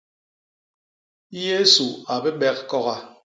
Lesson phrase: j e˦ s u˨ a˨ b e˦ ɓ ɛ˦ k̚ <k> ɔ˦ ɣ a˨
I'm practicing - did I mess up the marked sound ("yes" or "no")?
no